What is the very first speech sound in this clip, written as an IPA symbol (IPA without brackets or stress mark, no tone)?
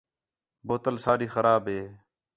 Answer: b